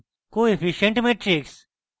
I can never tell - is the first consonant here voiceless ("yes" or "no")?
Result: yes